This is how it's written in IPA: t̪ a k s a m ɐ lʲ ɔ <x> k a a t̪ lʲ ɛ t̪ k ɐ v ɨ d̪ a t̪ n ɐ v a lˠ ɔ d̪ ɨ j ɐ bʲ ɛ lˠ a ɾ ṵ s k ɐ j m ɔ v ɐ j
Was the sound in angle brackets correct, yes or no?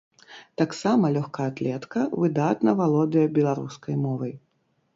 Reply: yes